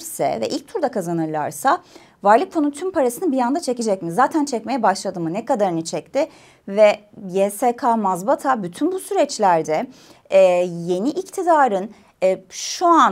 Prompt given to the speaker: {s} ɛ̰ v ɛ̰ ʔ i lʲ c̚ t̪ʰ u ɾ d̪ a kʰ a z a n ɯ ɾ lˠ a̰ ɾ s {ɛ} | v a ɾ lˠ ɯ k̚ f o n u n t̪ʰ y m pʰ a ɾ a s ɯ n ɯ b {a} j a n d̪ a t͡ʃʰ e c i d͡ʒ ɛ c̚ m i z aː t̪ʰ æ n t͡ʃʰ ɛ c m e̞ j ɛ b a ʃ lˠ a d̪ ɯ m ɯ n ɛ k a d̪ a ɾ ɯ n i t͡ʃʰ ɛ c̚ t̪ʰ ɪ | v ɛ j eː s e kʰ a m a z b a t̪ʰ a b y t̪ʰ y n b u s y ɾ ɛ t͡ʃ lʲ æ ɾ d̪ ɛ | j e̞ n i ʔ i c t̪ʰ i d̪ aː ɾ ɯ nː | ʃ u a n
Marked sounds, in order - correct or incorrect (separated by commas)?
correct, incorrect, incorrect